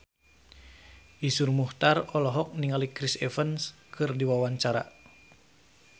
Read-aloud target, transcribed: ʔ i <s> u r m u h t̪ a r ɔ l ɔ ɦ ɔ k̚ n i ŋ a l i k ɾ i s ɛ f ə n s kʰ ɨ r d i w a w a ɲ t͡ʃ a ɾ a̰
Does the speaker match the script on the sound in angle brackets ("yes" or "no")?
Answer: yes